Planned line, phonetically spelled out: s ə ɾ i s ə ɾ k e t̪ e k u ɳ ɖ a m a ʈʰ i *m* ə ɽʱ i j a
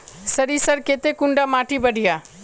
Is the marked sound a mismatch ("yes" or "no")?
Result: yes